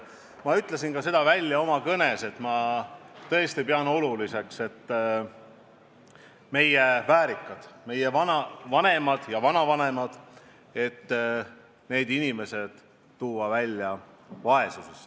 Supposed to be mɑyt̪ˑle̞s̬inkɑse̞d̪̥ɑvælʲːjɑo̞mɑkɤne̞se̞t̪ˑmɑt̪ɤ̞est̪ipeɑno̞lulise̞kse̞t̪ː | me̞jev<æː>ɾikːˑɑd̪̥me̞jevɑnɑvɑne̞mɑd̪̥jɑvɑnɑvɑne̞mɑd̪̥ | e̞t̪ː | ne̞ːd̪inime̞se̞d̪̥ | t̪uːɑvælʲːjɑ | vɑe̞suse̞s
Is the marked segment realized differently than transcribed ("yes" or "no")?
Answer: no